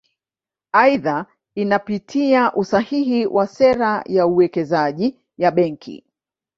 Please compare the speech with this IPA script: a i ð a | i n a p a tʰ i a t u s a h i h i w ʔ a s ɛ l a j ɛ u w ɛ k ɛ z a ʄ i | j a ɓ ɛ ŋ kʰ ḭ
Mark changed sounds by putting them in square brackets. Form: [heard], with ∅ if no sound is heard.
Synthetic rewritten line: a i ð a | i n a p [i] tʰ i a [ʔ] u s a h i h i w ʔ a s ɛ [ɾ] a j [a] u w ɛ k ɛ z a ʄ i | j a ɓ ɛ ŋ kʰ ḭ